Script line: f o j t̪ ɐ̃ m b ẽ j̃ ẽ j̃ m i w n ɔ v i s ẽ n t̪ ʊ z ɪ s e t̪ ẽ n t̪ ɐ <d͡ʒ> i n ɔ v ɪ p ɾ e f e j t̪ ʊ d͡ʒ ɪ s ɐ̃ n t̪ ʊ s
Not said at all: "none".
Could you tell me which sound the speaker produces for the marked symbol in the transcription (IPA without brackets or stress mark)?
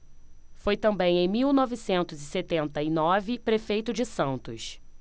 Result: none